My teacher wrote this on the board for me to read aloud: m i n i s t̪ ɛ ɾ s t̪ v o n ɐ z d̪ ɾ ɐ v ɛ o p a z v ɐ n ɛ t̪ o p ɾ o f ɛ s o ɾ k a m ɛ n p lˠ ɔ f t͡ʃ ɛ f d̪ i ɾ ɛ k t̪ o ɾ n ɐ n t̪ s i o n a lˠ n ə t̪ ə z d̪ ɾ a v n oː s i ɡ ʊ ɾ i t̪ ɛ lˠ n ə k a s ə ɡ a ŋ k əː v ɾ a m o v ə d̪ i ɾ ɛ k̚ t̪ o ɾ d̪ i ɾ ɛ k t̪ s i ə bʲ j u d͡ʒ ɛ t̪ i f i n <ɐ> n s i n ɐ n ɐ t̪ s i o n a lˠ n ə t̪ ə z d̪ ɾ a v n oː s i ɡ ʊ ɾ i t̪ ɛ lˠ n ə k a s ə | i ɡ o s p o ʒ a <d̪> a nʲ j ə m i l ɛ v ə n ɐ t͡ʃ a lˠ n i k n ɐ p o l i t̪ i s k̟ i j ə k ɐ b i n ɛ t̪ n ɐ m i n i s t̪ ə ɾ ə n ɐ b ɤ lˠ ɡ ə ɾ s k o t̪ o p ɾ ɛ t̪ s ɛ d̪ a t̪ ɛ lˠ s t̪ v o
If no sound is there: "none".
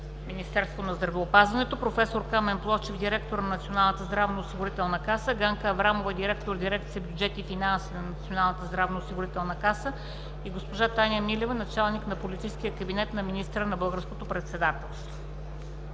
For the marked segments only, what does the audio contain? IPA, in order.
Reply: a, t̪

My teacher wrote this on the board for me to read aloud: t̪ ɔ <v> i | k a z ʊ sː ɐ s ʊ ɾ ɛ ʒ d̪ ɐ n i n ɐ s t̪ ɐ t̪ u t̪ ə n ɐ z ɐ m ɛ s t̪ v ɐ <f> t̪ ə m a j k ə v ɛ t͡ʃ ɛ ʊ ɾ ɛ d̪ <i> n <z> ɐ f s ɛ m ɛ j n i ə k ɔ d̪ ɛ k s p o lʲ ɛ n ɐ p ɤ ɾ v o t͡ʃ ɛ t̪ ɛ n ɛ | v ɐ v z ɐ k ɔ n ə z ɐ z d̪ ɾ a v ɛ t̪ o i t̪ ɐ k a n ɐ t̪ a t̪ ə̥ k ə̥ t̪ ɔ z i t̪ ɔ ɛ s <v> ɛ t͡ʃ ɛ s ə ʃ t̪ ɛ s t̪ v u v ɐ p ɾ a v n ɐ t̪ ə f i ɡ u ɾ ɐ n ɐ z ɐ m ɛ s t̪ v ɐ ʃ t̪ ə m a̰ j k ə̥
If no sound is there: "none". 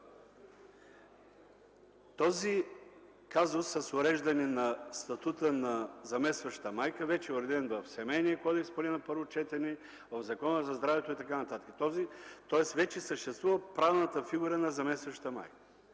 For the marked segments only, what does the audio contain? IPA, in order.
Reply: z, ʃ, ɛ, v, v

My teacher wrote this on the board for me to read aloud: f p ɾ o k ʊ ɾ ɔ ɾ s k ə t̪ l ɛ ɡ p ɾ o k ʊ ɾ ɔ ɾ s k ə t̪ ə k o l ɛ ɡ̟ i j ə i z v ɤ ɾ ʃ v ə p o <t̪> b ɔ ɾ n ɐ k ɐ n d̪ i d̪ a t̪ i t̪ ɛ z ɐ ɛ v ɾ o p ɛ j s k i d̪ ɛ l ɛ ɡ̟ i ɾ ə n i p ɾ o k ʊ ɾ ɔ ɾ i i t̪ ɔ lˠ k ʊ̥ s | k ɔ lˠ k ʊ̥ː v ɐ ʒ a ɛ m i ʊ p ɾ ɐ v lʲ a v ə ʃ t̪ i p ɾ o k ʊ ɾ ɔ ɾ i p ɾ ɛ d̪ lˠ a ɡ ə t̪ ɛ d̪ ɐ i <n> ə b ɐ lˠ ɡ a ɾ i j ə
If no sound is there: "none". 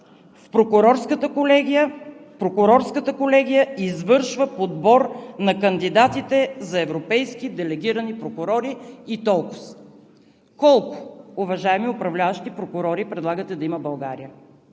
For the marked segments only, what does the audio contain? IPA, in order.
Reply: d̪, m

